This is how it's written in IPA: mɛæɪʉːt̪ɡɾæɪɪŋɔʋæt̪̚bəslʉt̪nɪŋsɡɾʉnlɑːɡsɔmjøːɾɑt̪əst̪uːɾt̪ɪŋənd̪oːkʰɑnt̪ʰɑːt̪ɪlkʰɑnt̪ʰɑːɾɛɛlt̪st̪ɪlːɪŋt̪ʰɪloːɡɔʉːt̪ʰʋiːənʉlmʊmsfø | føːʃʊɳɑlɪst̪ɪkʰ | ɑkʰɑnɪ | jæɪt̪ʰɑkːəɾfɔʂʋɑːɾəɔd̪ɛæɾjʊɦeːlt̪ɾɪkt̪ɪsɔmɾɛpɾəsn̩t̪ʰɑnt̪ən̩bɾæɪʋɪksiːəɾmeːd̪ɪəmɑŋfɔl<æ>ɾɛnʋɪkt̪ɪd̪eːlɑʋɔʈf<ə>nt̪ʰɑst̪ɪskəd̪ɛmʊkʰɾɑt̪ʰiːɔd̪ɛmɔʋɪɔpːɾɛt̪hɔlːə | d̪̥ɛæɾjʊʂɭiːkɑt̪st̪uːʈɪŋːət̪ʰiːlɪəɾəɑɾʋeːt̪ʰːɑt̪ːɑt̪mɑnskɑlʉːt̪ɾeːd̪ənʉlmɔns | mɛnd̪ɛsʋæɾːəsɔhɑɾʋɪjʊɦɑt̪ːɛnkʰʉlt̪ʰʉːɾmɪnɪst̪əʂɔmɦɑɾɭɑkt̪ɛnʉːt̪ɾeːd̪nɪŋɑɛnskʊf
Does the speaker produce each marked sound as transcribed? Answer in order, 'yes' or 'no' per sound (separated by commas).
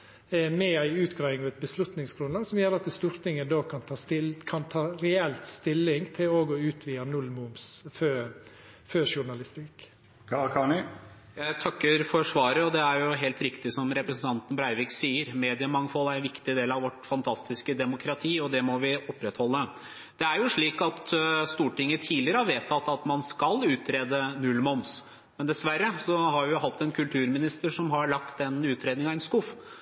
yes, no